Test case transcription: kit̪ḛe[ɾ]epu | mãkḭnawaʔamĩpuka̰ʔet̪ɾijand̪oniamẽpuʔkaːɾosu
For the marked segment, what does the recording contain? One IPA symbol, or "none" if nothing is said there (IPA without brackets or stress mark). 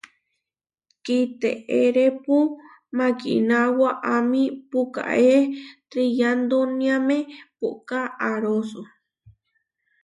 ɾ